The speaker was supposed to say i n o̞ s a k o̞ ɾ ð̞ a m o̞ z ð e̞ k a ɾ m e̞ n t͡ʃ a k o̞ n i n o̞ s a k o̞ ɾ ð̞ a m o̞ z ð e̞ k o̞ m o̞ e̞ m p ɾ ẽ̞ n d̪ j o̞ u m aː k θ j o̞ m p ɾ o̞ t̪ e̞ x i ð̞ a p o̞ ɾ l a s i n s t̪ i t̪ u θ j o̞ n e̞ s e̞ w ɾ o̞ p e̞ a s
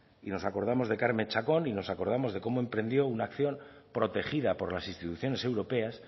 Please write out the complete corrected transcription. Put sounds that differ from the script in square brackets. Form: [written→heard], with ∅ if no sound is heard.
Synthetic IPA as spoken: i n o̞ s a k o̞ ɾ ð̞ a m o̞ z ð e̞ k a ɾ m e̞ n t͡ʃ a k o̞ n i n o̞ s a k o̞ ɾ ð̞ a m o̞ z ð e̞ k o̞ m o̞ e̞ m p ɾ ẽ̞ n d̪ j o̞ u [m→n] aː k θ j o̞ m p ɾ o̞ t̪ e̞ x i ð̞ a p o̞ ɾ l a s i n s t̪ i t̪ u θ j o̞ n e̞ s e̞ w ɾ o̞ p e̞ a s